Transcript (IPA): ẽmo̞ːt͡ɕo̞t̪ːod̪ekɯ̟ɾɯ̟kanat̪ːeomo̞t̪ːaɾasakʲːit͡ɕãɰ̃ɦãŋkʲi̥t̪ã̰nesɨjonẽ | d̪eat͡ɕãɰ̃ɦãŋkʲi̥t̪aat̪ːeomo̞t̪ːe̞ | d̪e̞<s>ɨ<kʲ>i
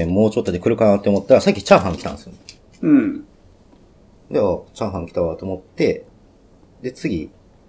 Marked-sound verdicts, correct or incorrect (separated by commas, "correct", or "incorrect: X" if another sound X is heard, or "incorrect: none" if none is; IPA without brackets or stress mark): incorrect: t͡s, incorrect: ɡʲ